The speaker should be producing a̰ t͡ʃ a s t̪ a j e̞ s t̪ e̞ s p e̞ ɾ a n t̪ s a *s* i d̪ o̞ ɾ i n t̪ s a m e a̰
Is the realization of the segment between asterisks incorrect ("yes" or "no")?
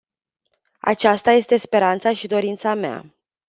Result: yes